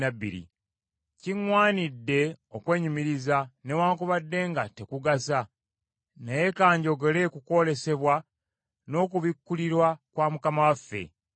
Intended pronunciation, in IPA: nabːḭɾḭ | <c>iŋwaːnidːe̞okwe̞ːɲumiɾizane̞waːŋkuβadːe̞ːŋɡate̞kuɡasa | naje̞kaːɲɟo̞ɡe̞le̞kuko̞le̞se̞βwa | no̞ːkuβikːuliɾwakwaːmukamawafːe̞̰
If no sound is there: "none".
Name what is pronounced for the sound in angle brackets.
c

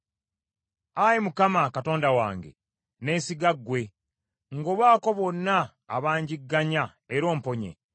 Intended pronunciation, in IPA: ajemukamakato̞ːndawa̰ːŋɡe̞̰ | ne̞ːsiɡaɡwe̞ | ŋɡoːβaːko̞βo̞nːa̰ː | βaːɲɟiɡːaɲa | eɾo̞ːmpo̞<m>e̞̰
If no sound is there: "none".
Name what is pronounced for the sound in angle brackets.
ɲ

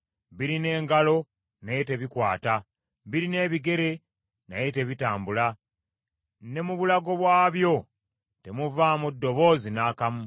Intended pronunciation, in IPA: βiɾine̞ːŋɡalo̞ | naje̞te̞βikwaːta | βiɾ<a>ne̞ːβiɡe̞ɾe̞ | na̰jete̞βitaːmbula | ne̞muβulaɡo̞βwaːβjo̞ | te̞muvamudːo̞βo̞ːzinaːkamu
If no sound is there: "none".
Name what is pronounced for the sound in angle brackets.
i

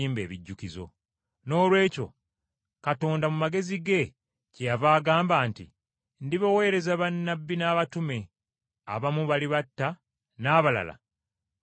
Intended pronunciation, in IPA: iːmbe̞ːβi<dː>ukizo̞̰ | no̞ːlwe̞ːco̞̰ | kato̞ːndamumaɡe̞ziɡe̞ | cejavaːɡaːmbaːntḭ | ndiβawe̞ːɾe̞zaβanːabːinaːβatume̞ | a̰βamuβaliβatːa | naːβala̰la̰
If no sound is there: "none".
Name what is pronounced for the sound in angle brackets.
ɟː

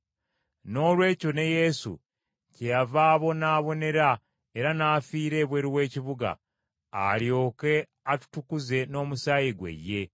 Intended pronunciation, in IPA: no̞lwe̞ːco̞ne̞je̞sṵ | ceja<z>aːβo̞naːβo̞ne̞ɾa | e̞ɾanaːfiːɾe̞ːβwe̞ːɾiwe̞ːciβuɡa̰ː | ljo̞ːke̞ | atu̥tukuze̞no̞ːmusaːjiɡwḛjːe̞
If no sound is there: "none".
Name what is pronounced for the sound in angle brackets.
v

